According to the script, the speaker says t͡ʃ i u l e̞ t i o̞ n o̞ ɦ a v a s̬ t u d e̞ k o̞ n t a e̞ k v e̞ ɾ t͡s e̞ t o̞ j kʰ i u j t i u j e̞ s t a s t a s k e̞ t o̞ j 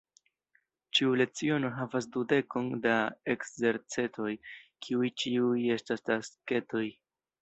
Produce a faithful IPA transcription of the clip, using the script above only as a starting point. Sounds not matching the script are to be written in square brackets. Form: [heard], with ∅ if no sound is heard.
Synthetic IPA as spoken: t͡ʃ i u l e̞ [t͡s] i o̞ n o̞ ɦ a v a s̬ [d] u d e̞ k o̞ n [d] a e̞ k [z] e̞ ɾ t͡s e̞ t o̞ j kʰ i u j [t͡ʃ] i u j e̞ s t a s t a s k e̞ t o̞ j